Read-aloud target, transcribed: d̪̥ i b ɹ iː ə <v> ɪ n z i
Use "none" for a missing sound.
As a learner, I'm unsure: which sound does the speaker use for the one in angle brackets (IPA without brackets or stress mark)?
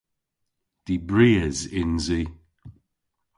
z